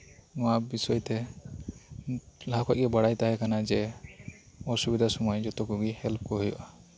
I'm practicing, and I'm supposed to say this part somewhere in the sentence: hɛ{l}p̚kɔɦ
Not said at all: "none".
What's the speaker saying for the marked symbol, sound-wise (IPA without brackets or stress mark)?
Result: l